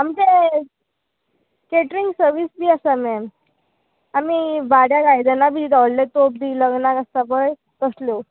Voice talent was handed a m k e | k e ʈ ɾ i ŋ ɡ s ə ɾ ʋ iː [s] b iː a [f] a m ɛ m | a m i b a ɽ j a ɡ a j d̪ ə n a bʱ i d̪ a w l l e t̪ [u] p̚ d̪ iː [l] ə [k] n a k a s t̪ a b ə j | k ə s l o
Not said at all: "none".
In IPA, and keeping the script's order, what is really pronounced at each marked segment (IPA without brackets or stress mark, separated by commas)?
s, s, o, l, ɡ